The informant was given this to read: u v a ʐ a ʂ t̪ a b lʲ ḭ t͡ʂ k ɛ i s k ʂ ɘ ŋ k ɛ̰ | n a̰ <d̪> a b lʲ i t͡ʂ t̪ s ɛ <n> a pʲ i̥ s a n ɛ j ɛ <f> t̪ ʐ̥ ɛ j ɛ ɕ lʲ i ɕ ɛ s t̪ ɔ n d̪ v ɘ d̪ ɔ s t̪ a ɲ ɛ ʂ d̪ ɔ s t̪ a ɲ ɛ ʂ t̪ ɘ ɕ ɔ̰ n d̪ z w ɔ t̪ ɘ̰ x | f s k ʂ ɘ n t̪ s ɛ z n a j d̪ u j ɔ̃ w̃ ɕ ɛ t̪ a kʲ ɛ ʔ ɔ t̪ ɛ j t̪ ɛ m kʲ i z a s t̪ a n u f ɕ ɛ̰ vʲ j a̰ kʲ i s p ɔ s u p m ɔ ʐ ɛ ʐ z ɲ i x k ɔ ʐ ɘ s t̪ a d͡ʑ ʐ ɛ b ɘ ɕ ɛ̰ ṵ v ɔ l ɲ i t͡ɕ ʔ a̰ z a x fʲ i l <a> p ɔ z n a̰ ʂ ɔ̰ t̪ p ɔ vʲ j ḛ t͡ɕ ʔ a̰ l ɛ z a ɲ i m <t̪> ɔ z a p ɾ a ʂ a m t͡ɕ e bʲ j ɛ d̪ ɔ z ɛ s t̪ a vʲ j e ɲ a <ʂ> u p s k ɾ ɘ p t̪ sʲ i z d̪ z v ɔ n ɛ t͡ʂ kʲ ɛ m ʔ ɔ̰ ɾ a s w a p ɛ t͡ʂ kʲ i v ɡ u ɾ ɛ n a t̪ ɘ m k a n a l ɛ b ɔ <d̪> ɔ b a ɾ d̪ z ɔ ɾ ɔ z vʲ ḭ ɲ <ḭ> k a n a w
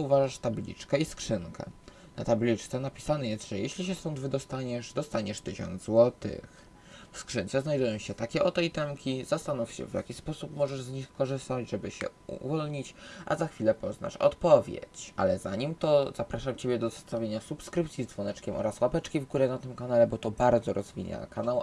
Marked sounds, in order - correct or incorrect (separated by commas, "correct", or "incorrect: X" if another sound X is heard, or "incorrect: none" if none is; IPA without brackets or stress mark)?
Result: incorrect: t̪, correct, incorrect: s, incorrect: ɛ, correct, incorrect: s, incorrect: t̪, incorrect: a̰